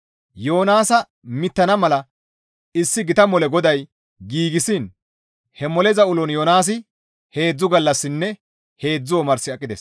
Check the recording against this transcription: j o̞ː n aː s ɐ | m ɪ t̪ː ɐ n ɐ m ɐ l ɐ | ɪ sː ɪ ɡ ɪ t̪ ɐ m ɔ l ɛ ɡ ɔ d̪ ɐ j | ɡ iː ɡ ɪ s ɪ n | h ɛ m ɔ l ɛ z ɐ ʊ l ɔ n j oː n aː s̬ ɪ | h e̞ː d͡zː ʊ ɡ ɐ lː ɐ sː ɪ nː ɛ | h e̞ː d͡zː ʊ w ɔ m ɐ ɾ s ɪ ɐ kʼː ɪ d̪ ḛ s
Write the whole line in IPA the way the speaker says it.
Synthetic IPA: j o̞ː n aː s ɐ | m ɪ t̪ː ɐ n ɐ m ɐ l ɐ | ɪ sː ɪ ɡ ɪ t̪ ɐ m ɔ l ɛ ɡ ɔ d̪ ɐ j | ɡ iː ɡ ɪ s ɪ n | h ɛ m ɔ l ɛ z ɐ ʊ l ɔ n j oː n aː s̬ ɪ | h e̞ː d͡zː ʊ ɡ ɐ lː ɐ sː ɪ nː ɛ | h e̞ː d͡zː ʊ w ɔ m ɐ ɾ s ɪ ɐ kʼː ɪ d̪ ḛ s